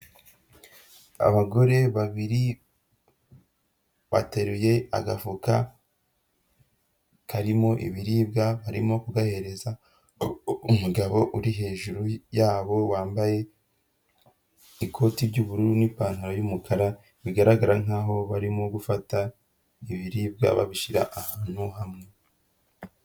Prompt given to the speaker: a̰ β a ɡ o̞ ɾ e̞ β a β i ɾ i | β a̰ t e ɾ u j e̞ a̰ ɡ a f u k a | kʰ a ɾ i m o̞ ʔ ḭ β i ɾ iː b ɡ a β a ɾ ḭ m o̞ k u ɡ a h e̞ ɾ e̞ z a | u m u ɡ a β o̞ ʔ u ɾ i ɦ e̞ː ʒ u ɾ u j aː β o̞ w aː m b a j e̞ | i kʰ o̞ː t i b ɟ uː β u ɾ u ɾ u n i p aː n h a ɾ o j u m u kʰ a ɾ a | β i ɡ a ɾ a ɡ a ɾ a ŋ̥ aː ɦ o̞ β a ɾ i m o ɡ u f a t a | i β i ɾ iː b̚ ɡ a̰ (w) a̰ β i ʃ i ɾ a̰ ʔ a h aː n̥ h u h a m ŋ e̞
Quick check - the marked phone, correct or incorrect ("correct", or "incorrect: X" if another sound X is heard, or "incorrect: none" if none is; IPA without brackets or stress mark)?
incorrect: β